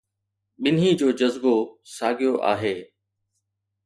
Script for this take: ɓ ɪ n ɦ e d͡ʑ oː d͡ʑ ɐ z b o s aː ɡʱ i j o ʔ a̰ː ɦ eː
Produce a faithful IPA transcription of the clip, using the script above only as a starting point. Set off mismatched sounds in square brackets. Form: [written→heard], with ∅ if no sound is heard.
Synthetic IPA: ɓ ɪ n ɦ [e→i] d͡ʑ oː d͡ʑ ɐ z b o s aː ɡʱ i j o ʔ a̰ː ɦ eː